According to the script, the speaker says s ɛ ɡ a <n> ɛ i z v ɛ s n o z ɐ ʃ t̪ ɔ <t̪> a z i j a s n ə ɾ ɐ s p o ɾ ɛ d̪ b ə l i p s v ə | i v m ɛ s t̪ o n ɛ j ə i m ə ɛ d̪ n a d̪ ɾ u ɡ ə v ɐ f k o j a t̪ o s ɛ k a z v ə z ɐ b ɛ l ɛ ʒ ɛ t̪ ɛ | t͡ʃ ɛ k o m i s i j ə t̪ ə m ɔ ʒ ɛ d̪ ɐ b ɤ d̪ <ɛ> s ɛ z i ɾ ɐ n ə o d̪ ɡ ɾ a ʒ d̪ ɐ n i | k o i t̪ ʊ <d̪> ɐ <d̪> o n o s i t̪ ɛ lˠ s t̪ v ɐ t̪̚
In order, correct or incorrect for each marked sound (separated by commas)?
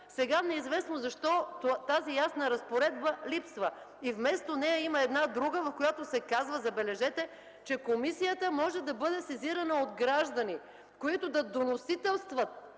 correct, correct, correct, correct, correct